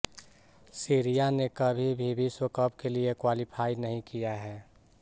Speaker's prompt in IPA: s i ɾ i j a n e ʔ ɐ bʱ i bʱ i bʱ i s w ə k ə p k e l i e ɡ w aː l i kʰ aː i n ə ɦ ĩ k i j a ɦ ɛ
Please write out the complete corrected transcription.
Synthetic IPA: s i ɾ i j a n e k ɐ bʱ i bʱ i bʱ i s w ə k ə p k e l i e k w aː l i pʰ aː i n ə ɦ ĩ k i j a ɦ ɛː